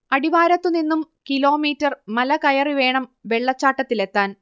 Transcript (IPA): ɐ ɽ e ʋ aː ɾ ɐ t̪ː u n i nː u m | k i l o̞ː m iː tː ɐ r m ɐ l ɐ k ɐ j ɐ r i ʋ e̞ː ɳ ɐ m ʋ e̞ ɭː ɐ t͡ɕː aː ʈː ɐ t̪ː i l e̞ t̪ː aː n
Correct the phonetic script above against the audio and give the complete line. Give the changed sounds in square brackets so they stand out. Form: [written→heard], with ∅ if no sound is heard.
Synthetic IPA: ɐ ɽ [e→i] ʋ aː ɾ ɐ t̪ː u n i nː u m | k i l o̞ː m iː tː ɐ r m ɐ l ɐ k ɐ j ɐ r i ʋ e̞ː ɳ ɐ m ʋ e̞ ɭː ɐ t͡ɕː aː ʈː ɐ t̪ː i l e̞ t̪ː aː n